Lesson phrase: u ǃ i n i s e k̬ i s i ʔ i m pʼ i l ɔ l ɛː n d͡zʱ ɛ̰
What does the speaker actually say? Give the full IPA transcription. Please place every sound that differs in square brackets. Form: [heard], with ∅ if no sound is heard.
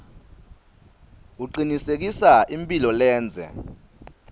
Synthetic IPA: u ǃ i n i s e k̬ i s [a] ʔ i m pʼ i l ɔ l ɛː n d͡zʱ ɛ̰